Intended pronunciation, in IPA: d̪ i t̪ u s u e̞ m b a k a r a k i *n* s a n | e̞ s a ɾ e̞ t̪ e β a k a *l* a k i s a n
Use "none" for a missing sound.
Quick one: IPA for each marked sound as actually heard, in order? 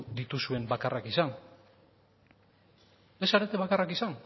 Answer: none, r

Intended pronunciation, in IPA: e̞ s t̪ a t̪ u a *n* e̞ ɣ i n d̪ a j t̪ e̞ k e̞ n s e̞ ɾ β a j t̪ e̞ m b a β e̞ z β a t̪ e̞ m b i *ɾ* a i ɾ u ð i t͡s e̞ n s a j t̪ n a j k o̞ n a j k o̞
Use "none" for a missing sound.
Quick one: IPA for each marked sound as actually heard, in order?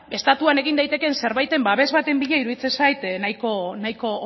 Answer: n, ʎ

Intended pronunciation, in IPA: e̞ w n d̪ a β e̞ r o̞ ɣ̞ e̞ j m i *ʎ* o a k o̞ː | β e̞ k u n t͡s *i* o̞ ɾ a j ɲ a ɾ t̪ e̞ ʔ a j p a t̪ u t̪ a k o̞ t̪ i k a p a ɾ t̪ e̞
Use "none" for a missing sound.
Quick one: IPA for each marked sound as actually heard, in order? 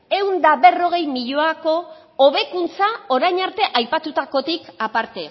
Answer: ʎ, a

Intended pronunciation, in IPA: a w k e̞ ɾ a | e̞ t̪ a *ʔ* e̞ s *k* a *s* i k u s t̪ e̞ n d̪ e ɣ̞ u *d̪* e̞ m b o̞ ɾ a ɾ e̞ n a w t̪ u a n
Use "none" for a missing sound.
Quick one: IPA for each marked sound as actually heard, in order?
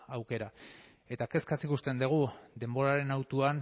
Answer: k, k, s, d̪

